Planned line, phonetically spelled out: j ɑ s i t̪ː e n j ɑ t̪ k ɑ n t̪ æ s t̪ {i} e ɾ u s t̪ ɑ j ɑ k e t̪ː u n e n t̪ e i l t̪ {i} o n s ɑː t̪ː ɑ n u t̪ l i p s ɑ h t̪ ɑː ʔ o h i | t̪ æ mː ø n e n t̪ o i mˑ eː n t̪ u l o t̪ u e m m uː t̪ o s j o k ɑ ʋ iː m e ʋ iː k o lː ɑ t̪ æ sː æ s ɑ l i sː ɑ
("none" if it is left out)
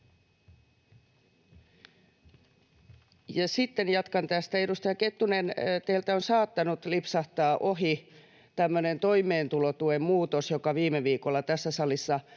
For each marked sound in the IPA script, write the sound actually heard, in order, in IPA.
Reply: æ, æ

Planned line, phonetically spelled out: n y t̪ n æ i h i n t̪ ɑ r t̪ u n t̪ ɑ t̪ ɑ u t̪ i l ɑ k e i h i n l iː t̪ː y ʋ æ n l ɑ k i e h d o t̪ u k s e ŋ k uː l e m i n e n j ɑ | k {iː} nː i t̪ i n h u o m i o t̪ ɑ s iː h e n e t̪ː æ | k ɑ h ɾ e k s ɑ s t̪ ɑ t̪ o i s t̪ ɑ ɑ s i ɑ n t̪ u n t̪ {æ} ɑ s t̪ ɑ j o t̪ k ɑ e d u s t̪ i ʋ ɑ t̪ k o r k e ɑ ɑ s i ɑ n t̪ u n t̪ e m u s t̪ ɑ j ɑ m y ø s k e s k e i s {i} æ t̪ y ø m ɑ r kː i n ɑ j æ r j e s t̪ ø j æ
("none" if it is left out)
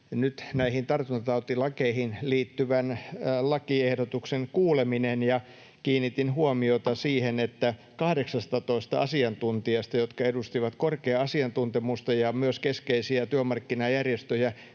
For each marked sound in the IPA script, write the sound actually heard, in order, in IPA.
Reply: iː, i, i

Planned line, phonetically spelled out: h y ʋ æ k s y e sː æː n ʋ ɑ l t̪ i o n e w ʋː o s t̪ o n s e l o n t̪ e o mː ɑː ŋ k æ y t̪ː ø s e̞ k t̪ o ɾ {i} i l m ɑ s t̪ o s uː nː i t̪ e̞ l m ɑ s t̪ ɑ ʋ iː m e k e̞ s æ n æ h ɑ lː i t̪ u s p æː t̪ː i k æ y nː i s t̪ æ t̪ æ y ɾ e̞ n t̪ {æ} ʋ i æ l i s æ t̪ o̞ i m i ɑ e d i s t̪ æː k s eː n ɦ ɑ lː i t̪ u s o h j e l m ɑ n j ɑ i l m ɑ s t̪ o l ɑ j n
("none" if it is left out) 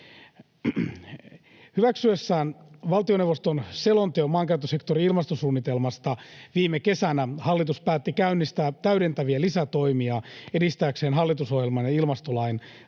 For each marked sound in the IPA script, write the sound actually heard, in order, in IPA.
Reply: i, æ

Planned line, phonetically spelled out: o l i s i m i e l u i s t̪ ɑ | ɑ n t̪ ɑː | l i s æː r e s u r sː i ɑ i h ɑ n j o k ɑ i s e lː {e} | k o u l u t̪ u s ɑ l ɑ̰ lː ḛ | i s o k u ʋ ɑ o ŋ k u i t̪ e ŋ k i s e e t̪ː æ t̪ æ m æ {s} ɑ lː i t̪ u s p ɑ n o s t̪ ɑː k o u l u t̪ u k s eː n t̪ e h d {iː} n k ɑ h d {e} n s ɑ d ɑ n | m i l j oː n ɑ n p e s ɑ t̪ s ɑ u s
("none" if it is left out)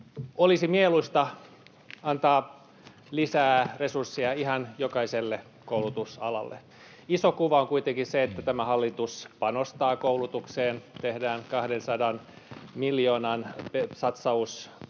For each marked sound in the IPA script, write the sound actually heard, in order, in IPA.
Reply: e, h, æː, e

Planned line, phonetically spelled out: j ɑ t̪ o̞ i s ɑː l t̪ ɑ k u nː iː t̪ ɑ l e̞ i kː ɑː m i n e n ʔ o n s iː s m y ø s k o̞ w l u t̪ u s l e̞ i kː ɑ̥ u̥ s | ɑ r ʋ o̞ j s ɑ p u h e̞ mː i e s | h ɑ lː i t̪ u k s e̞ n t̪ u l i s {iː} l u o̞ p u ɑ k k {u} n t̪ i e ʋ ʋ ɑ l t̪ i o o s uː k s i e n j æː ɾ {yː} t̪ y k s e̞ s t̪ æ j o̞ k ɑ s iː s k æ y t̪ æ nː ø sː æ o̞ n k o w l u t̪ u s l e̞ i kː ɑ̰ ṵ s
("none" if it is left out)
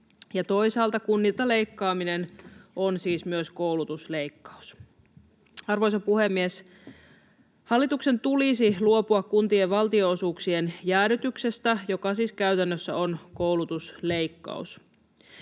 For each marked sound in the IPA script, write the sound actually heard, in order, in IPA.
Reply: i, u, y

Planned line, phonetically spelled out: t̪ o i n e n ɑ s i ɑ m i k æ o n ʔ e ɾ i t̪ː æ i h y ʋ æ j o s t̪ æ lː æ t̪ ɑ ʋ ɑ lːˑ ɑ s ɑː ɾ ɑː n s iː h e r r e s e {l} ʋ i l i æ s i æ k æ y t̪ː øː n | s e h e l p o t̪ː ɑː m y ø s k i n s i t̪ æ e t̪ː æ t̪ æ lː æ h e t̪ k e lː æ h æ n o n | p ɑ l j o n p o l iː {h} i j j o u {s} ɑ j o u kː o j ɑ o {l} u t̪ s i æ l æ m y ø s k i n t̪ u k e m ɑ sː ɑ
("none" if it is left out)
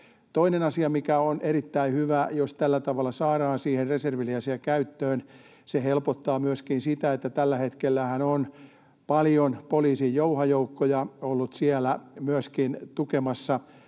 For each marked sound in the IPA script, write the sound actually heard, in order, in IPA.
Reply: r, s, h, lː

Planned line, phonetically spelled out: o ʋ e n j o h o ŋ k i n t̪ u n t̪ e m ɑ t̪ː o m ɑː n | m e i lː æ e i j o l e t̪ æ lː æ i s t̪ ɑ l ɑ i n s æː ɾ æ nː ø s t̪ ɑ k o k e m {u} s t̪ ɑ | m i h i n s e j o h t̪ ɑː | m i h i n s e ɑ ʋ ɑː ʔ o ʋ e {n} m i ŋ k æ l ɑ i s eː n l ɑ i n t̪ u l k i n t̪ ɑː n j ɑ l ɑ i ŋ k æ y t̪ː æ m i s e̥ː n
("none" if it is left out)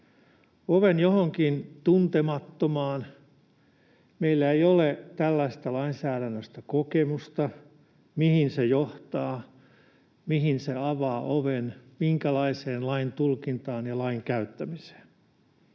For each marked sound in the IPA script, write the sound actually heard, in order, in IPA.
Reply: u, n

